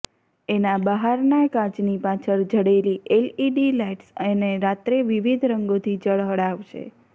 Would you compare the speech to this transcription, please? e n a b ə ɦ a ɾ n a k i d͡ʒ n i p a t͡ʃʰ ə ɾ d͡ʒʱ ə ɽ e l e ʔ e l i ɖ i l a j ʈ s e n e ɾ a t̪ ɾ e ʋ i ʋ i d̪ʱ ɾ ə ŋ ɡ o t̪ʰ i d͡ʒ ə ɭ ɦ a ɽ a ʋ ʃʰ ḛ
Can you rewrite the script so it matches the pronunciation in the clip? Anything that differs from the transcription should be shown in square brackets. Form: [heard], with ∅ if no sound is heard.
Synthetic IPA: e n a b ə ɦ a ɾ n a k [a] d͡ʒ n i p a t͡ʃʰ ə ɾ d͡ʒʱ ə ɽ e l [i] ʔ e l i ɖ i l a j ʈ s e n e ɾ a t̪ ɾ e ʋ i ʋ i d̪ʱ ɾ ə ŋ ɡ o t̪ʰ i d͡ʒ ə ɭ ɦ [ə] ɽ a ʋ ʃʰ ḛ